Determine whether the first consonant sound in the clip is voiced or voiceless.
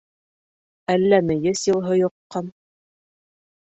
voiced